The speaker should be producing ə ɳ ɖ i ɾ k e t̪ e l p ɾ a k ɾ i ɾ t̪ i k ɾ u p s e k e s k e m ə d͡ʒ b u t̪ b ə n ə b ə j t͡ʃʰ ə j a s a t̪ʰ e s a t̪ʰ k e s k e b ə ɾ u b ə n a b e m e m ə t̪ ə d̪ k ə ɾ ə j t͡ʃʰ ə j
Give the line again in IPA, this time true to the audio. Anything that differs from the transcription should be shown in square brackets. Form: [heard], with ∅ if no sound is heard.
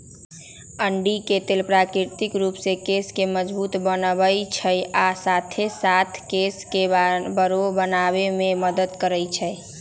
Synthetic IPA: ə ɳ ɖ i [∅] k e t̪ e l p ɾ a k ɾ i ɾ t̪ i k ɾ u p s e k e s k e m ə d͡ʒ b u t̪ b ə n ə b ə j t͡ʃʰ ə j a s a t̪ʰ e s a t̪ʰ k e s k e b ə ɾ [o] b ə n a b e m e m ə [d̪] ə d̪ k ə ɾ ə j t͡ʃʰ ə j